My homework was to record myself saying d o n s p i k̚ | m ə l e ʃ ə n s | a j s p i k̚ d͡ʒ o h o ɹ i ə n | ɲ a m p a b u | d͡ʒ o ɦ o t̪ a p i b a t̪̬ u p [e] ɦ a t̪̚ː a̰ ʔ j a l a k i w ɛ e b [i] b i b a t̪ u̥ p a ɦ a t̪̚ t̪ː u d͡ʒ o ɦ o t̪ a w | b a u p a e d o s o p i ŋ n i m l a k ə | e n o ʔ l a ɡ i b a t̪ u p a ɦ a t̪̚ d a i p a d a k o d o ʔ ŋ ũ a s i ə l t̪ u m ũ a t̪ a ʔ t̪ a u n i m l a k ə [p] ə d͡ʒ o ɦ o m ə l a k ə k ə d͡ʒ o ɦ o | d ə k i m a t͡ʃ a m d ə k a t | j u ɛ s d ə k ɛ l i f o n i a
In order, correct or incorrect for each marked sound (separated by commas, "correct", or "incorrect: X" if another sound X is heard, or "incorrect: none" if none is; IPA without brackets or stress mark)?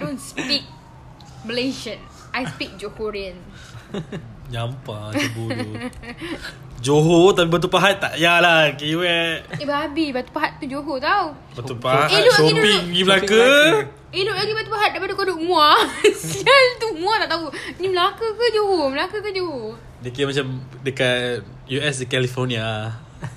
incorrect: a, incorrect: a, incorrect: k